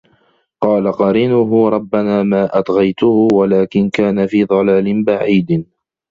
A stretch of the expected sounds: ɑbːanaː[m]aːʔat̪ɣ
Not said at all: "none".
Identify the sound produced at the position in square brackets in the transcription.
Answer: m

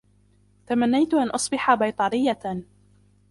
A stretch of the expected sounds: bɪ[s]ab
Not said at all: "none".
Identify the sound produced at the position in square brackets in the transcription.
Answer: ħ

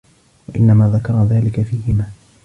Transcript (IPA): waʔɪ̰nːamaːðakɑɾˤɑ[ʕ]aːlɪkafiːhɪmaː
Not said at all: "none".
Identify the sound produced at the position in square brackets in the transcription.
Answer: ð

